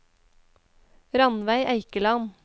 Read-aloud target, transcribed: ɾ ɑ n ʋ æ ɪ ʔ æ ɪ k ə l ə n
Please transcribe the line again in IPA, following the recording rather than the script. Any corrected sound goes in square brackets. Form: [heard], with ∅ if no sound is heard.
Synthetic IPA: ɾ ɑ n ʋ æ ɪ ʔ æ ɪ k ə l [ɑ] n